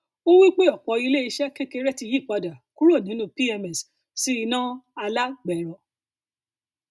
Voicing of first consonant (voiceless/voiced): voiced